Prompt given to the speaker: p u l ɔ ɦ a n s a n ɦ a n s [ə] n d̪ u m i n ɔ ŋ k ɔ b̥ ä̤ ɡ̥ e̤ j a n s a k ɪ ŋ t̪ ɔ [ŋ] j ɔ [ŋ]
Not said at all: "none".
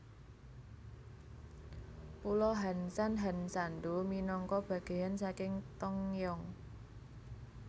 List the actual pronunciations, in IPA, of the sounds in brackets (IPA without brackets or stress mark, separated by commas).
a, ŋ, ŋ